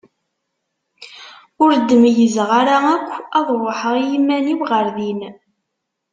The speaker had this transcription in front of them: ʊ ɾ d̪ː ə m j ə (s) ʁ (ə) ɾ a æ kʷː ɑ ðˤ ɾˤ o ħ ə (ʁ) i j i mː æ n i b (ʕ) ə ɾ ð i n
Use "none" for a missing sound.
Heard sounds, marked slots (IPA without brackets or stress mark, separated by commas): z, a, ʁ, ʁ